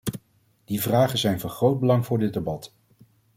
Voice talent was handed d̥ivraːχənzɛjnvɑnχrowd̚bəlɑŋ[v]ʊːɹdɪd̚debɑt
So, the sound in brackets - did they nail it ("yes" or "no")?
yes